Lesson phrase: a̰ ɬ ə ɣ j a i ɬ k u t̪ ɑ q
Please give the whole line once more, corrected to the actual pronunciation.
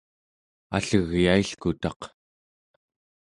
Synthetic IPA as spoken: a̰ ɬ ə ɣ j a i ɬ k u t̪ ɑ q